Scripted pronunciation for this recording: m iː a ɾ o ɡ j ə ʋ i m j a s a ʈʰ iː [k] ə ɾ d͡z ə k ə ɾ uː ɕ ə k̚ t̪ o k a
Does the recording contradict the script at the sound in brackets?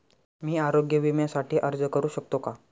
yes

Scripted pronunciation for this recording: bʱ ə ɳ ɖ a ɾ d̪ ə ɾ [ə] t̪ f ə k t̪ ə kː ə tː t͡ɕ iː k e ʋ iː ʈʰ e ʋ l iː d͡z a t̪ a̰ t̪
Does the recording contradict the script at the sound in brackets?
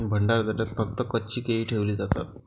yes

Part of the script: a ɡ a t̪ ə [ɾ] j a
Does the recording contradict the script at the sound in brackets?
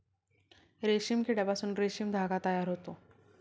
yes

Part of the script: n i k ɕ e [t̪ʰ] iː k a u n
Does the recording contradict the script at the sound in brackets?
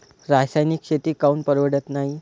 yes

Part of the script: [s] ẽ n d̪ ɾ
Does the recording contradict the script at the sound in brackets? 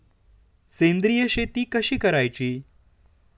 no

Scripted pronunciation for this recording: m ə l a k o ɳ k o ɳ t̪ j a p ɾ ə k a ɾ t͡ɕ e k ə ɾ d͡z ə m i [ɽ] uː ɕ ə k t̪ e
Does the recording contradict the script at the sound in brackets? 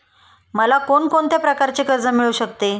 yes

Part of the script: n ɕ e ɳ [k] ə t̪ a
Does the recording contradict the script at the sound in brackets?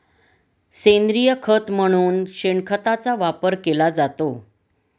yes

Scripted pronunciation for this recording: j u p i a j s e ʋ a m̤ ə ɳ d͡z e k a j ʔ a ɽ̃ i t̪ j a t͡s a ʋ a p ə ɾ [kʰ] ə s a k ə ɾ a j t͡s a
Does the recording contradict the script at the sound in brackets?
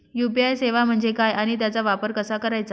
yes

